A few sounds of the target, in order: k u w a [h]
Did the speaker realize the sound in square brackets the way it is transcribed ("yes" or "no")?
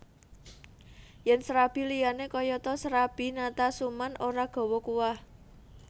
yes